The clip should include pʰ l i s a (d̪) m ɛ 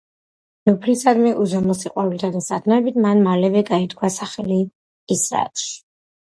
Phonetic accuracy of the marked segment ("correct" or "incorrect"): correct